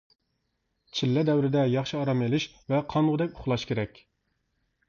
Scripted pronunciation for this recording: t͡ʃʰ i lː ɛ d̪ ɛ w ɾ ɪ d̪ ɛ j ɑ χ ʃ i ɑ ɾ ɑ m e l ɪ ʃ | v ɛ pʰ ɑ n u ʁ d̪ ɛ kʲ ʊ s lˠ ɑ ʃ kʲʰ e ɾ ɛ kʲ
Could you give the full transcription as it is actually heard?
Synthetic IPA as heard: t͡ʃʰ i lː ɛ d̪ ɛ w ɾ ɪ d̪ ɛ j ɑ χ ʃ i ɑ ɾ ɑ m e l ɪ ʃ | v ɛ qʰ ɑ n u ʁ d̪ ɛ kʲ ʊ χ lˠ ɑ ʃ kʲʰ e ɾ ɛ kʲ